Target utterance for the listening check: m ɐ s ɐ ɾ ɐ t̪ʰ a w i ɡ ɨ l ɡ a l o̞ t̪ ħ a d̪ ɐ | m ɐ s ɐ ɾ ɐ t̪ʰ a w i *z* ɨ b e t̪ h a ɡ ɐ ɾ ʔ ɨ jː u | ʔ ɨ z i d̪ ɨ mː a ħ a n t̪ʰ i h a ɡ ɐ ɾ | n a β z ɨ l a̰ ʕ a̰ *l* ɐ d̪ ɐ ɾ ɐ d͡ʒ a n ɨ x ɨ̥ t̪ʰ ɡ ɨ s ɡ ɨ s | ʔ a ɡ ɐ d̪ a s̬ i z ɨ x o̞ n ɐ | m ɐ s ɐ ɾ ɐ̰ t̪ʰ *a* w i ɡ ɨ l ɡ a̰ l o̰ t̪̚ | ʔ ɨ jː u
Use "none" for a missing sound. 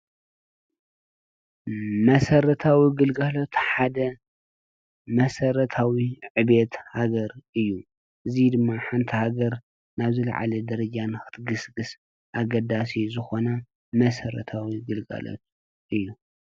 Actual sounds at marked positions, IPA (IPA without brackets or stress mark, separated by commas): ʕ, l, a